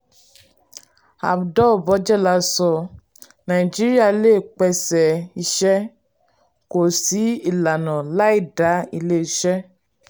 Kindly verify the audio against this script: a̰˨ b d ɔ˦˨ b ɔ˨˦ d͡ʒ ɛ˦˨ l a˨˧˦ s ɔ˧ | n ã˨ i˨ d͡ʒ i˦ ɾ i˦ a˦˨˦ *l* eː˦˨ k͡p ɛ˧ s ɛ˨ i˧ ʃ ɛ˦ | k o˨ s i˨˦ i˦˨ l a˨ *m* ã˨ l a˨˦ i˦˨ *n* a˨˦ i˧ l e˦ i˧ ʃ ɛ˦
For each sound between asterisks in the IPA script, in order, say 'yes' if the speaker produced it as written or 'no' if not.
yes, no, no

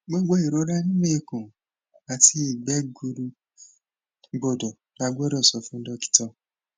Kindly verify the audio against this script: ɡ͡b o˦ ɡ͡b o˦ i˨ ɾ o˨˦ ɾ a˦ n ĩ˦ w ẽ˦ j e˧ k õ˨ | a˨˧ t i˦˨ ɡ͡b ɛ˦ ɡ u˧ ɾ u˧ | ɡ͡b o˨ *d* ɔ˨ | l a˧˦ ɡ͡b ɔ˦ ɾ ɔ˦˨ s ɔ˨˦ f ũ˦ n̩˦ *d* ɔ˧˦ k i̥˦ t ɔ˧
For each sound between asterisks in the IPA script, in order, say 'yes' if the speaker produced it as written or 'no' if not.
yes, yes

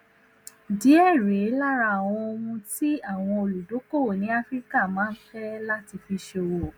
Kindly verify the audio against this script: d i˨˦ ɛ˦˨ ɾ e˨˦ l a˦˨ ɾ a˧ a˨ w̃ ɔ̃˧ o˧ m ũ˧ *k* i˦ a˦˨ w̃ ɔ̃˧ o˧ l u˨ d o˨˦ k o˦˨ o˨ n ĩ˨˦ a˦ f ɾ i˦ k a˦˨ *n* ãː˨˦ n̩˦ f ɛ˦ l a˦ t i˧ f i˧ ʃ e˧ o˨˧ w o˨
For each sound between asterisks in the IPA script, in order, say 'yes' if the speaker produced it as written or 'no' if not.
no, no

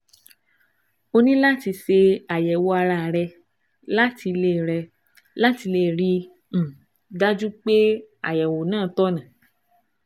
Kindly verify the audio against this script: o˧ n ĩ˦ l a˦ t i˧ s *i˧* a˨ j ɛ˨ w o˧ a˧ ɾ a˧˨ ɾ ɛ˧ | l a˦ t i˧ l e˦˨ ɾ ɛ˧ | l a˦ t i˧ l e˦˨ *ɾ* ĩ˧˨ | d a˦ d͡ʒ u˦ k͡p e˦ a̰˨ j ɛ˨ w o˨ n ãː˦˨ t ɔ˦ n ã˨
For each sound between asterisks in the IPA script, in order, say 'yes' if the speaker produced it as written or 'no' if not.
no, yes

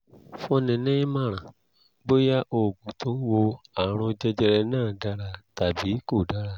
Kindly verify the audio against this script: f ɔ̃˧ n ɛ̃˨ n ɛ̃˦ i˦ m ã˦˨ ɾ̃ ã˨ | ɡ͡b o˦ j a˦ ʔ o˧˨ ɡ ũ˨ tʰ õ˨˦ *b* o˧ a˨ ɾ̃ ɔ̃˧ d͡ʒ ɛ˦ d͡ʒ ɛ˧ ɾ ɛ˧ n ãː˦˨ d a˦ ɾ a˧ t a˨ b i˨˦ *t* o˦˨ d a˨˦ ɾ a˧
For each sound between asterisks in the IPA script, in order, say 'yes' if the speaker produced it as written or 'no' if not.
no, no

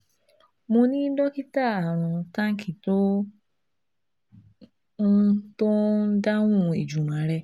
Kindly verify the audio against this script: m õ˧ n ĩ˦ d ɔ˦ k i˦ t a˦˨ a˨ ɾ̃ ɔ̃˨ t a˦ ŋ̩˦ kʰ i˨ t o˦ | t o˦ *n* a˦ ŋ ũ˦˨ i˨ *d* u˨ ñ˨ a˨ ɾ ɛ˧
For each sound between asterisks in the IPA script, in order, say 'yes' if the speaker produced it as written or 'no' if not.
no, no

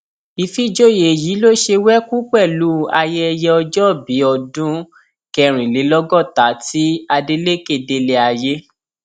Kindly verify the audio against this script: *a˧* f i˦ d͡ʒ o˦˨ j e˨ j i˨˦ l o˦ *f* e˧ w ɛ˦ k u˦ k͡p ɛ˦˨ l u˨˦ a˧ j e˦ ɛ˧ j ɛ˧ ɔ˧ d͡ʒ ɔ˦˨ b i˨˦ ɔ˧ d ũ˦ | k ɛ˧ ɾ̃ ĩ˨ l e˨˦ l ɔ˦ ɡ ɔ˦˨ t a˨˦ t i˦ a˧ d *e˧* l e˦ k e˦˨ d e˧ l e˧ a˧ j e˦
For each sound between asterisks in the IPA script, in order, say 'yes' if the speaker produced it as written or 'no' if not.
no, no, yes

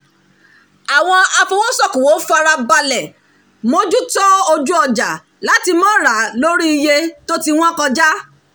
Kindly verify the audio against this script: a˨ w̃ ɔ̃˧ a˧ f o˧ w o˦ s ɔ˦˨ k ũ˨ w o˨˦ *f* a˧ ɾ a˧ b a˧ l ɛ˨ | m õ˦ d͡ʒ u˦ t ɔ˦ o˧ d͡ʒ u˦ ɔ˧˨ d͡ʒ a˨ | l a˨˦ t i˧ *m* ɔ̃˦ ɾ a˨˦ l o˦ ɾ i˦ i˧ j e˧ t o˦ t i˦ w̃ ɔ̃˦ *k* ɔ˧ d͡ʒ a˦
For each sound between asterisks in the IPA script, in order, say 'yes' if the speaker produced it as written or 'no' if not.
yes, yes, yes

